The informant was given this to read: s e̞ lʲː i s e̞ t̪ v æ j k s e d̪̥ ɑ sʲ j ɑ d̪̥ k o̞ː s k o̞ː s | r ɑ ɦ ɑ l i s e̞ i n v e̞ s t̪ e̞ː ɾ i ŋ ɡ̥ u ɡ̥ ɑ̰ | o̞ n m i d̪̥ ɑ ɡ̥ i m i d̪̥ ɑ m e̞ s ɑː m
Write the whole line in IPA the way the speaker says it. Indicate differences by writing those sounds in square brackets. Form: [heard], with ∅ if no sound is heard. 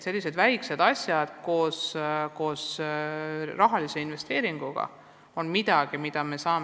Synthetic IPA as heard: s e̞ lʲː i s e̞ [d̪] v æ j k s e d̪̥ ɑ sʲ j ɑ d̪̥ k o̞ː s k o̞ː s | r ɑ ɦ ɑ l i s e̞ i n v e̞ s t̪ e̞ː ɾ i ŋ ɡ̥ u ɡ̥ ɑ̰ | o̞ n m i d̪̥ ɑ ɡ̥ i m i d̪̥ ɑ m e̞ s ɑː m

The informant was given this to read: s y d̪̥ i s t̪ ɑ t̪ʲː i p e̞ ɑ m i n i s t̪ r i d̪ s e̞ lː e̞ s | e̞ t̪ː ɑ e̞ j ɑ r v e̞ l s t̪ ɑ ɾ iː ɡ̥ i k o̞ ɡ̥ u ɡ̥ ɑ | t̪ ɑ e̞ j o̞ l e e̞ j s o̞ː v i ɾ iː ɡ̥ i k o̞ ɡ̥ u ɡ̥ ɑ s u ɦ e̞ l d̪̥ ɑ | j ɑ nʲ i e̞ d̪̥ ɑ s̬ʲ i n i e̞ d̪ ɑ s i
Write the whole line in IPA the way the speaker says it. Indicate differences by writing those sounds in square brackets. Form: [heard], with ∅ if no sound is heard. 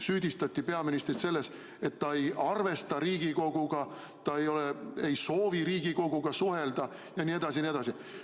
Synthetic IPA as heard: s [yː] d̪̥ i s t̪ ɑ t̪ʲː i p e̞ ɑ m i n i s t̪ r i [t̪] s e̞ lː e̞ s | e̞ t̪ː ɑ e̞ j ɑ r v e̞ [∅] s t̪ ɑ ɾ iː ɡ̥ i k o̞ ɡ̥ u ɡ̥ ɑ | t̪ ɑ e̞ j o̞ l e e̞ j s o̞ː v i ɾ iː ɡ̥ i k o̞ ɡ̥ u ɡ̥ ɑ s u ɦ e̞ l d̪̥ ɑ | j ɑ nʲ i e̞ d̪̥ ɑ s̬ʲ i n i e̞ d̪ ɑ s i

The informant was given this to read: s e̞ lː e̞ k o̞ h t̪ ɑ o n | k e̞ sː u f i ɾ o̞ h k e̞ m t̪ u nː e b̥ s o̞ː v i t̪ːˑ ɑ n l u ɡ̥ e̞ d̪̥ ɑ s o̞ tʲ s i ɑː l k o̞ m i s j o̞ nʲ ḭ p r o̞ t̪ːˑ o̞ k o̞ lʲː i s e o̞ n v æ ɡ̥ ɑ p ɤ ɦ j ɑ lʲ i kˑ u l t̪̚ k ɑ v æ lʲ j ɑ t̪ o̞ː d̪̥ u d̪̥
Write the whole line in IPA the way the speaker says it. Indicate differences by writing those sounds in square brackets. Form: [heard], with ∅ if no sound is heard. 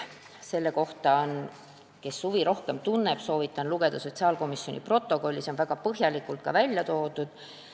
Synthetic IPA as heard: s e̞ lː e̞ k o̞ h t̪ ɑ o n | k e̞ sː u [v] i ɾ o̞ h k e̞ m t̪ u nː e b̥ s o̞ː v i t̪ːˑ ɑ n l u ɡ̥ e̞ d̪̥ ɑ s o̞ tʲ s i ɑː l k o̞ m i s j o̞ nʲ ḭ p r o̞ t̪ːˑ o̞ k o̞ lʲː i s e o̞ n v æ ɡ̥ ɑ p ɤ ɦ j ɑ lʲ i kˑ u l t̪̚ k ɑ v æ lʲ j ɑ t̪ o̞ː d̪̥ u d̪̥

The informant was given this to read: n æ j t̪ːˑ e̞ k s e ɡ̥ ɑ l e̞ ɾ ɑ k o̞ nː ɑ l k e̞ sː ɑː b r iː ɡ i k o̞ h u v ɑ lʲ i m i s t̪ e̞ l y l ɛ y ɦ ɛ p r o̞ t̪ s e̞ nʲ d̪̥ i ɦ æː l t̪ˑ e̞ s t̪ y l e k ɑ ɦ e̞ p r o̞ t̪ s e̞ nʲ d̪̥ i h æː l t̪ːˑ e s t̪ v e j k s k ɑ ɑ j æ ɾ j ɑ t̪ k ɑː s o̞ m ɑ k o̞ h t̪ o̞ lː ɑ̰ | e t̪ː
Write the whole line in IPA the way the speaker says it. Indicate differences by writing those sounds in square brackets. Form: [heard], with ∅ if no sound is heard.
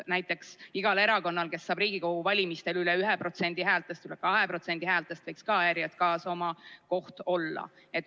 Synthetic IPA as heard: n æ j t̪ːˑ e̞ k s [i] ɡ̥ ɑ l e̞ ɾ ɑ k o̞ nː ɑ l k e̞ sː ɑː b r iː ɡ i k o̞ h u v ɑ lʲ i m i s t̪ e̞ l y l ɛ y ɦ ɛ p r o̞ t̪ s e̞ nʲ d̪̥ i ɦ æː l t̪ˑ e̞ s t̪ y l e k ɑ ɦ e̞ p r o̞ t̪ s e̞ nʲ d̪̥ i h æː l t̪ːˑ e s t̪ v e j k s k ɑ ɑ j æ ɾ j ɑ t̪ k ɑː s o̞ m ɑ k o̞ h t̪ o̞ lː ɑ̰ | e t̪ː

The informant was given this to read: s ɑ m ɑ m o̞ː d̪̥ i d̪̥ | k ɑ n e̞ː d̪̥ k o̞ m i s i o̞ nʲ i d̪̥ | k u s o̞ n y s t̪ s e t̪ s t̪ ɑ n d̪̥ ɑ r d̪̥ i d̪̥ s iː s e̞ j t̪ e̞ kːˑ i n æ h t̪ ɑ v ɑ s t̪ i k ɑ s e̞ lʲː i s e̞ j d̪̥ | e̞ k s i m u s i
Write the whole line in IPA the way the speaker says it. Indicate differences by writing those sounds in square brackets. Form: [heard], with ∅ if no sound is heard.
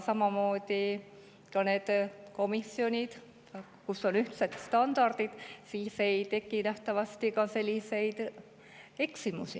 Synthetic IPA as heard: s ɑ m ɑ m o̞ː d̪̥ i [∅] | k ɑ n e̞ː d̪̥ k o̞ m i s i o̞ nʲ i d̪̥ | k u s o̞ n y [h] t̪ s e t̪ s t̪ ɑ n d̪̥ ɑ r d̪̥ i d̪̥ s iː s e̞ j t̪ e̞ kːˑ i n æ h t̪ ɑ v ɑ s t̪ i k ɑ s e̞ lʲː i s e̞ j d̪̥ | e̞ k s i m u s i

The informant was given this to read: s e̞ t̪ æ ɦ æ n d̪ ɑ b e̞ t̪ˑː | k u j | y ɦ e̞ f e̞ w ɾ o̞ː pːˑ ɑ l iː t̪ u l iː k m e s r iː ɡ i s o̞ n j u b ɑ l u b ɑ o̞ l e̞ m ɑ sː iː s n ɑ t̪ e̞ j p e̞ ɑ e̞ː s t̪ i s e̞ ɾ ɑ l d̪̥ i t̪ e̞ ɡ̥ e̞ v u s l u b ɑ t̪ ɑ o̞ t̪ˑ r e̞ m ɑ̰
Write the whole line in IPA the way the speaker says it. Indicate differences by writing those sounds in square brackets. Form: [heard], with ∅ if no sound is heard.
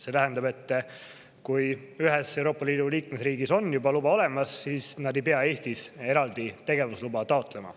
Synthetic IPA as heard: s e̞ t̪ æ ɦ æ n d̪ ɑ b e̞ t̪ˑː | k u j | y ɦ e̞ [s] e̞ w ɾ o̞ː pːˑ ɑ l iː [d̪] u l iː k m e s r iː ɡ i s o̞ n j u b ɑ l u b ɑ o̞ l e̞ m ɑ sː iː s n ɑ [d̪] e̞ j p e̞ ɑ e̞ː s t̪ i s e̞ ɾ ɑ l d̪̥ i t̪ e̞ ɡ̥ e̞ v u s l u b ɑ t̪ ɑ o̞ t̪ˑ [l] e̞ m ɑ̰

